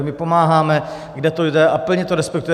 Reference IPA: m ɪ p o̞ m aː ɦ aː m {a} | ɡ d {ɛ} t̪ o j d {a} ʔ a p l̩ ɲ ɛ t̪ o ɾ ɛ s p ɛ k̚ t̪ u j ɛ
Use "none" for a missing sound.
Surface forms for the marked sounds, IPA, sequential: ɛ, ɛ, ɛ

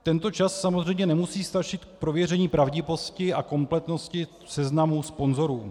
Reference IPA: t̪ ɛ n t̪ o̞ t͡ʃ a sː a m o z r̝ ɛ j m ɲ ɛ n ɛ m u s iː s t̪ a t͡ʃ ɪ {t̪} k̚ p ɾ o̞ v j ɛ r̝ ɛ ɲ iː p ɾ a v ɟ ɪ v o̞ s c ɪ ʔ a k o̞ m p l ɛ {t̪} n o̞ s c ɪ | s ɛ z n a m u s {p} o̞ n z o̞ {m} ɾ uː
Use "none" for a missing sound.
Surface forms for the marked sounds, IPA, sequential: t̪, t̪, p, none

